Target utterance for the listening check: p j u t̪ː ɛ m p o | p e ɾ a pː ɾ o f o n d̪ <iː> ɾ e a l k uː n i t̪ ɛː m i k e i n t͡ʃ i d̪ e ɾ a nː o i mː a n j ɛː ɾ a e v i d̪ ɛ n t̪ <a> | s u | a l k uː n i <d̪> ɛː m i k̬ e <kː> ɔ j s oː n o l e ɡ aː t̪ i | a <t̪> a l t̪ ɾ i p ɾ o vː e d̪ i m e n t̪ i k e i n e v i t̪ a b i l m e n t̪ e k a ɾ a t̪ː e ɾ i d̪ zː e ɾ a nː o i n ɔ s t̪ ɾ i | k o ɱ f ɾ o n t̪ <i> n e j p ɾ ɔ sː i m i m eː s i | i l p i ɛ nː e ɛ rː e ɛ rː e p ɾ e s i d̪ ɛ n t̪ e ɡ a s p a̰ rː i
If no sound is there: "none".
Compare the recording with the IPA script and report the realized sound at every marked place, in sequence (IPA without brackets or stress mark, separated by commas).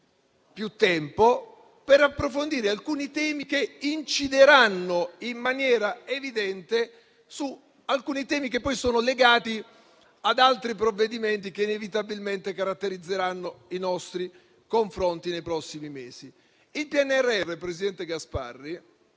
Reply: iː, e, t̪, pː, d̪, i